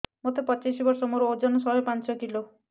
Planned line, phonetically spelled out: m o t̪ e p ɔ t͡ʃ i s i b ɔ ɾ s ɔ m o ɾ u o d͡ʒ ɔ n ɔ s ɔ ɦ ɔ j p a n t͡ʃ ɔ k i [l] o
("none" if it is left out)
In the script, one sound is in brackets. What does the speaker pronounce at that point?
l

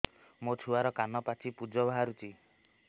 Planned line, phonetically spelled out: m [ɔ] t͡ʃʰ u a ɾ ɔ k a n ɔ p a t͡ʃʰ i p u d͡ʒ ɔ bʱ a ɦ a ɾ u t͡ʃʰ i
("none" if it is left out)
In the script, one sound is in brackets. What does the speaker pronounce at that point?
o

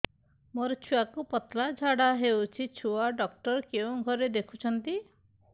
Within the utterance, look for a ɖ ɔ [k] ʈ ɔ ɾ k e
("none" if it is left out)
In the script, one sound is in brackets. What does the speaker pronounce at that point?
k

